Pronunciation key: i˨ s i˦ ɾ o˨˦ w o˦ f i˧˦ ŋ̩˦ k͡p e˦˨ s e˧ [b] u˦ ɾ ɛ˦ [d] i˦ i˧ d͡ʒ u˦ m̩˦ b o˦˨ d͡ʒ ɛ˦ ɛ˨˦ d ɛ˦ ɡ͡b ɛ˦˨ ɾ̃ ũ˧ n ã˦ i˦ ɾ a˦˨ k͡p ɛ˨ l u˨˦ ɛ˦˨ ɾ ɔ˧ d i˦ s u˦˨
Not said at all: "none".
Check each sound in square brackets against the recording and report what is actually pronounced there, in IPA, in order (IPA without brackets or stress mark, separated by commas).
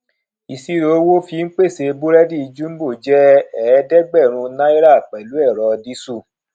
b, d